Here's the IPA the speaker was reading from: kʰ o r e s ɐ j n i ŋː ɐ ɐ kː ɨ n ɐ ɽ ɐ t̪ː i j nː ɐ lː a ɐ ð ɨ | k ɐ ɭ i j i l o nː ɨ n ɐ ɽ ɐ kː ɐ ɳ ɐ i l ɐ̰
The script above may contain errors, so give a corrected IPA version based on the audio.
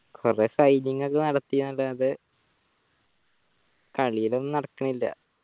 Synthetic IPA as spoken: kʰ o r e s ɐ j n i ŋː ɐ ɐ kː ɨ n ɐ ɽ ɐ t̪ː i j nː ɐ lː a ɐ ð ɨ | k ɐ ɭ i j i l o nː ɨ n ɐ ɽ ɐ kː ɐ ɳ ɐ i lː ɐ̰